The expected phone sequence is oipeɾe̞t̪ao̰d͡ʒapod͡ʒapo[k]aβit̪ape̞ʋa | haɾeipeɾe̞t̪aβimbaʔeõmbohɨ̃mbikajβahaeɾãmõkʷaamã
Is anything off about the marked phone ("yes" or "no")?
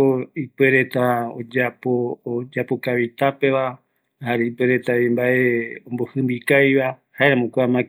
no